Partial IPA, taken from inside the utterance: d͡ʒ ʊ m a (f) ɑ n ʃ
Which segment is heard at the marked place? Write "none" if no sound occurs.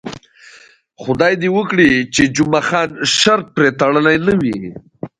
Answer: x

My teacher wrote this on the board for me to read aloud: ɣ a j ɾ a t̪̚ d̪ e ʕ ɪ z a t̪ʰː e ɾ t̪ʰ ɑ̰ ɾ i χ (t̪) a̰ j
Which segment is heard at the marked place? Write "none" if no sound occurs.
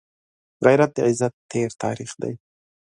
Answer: d̪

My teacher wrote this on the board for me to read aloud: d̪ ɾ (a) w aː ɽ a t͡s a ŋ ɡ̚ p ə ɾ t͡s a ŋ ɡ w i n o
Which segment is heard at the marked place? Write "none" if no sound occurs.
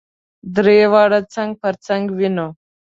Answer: e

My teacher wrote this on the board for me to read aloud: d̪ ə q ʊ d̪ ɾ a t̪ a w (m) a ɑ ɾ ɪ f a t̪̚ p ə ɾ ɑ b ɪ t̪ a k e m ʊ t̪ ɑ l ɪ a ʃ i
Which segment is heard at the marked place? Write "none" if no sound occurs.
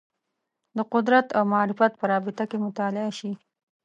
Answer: m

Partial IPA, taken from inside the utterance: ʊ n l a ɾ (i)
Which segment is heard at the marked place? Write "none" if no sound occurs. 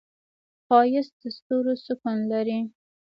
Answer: i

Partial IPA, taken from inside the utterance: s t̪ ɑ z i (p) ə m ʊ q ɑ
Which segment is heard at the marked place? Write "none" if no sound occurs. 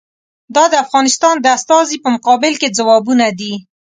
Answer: p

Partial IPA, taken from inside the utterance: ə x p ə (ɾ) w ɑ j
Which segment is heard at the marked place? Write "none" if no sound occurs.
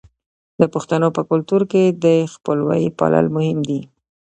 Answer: l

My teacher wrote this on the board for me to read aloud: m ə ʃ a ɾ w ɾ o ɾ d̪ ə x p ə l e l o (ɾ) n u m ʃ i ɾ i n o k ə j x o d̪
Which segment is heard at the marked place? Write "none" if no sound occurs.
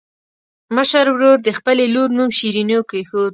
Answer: ɾ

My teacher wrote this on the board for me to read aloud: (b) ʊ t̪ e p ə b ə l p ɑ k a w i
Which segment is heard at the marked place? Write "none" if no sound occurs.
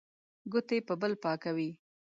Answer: ɡ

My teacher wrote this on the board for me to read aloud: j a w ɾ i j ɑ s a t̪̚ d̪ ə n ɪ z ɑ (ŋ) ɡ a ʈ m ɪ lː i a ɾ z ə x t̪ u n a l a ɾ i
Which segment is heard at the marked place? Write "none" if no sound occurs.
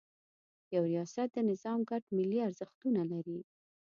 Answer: m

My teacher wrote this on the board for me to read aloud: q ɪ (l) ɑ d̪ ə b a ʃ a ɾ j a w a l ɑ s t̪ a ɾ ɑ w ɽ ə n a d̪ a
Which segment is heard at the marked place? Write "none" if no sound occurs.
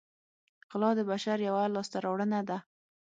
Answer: l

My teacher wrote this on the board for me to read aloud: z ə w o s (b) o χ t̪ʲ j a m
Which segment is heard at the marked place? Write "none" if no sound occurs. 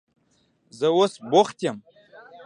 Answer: b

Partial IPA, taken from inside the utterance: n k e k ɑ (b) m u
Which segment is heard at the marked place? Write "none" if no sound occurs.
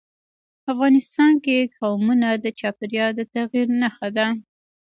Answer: w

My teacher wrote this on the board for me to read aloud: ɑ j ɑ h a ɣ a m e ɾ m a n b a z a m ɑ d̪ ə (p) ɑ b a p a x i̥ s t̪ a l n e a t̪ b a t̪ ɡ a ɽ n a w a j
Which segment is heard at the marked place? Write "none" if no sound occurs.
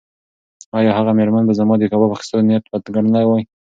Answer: k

